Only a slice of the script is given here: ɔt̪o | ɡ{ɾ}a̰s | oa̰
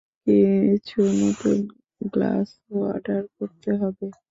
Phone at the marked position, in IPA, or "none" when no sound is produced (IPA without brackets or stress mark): l